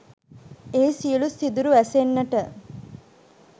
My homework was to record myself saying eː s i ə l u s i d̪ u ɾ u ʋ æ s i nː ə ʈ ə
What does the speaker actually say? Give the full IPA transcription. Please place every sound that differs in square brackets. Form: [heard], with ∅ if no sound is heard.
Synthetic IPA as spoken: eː s i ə l u s i d̪ u ɾ u ʋ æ s [e] nː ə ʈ ə